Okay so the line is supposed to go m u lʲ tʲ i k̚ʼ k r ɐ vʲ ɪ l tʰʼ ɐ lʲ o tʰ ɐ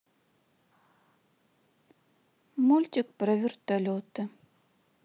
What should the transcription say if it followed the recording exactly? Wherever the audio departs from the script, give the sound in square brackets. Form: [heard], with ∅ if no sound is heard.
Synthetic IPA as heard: m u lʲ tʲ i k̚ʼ [p] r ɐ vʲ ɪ [r] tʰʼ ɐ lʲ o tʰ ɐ